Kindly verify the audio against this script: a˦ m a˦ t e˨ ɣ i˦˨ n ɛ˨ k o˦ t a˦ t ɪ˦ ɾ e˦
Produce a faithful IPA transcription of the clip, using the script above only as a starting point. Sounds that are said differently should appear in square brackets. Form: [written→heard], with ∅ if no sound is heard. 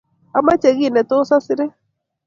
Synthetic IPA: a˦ m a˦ [t→t͡ʃ] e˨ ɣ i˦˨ n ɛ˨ [k→t] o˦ [t→s] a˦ [t→s] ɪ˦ ɾ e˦